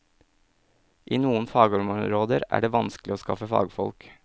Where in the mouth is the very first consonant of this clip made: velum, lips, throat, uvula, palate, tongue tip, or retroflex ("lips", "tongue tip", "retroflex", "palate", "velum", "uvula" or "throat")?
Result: throat